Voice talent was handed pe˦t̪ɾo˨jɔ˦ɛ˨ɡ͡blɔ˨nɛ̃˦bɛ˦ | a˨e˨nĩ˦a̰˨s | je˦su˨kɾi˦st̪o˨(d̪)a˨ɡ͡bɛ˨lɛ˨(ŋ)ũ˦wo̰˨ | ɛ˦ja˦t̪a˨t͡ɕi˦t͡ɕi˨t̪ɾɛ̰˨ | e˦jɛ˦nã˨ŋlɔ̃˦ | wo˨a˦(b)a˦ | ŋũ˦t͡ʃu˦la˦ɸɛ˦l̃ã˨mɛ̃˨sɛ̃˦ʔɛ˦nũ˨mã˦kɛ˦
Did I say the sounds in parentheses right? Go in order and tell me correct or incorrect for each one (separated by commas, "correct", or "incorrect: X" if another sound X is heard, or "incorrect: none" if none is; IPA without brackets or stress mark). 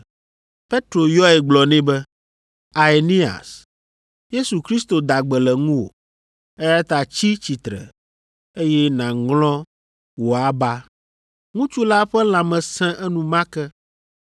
correct, correct, correct